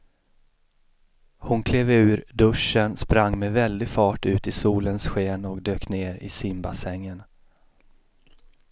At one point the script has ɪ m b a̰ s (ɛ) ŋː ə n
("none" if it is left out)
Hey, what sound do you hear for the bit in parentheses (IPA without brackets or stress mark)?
ɛ